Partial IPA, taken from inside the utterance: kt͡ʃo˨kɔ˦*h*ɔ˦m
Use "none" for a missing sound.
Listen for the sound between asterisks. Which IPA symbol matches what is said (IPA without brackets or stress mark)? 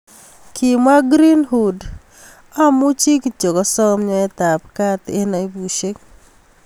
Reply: s